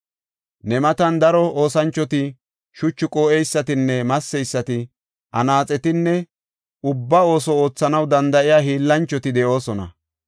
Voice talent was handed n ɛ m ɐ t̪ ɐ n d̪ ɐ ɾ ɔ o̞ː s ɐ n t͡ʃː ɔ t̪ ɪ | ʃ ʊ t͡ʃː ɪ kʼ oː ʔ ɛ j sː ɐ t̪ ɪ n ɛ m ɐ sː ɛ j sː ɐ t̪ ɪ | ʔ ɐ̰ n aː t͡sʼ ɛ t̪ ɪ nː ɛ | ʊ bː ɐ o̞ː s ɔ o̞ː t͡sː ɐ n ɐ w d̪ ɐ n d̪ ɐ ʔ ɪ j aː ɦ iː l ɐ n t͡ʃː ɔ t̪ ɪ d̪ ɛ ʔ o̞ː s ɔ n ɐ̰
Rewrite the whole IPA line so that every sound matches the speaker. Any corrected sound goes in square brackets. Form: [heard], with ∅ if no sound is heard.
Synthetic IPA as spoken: n ɛ m ɐ t̪ ɐ n d̪ ɐ ɾ ɔ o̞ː s ɐ n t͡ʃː ɔ t̪ ɪ | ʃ ʊ t͡ʃː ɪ kʼ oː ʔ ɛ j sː ɐ t̪ ɪ [nː] ɛ m ɐ sː ɛ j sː ɐ t̪ ɪ | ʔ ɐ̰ n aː t͡sʼ ɛ t̪ ɪ nː ɛ | ʊ bː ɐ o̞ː s ɔ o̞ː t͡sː ɐ n ɐ w d̪ ɐ n d̪ ɐ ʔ ɪ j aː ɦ iː [lː] ɐ n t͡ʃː ɔ t̪ ɪ d̪ ɛ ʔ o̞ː s ɔ n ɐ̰